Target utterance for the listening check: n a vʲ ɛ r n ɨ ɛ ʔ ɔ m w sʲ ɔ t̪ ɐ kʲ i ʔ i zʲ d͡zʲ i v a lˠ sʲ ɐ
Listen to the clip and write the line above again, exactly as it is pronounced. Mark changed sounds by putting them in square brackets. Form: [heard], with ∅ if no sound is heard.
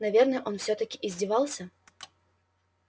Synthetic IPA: n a vʲ ɛ r n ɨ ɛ ʔ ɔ [n] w sʲ ɔ t̪ ɐ kʲ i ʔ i zʲ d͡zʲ i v a lˠ sʲ ɐ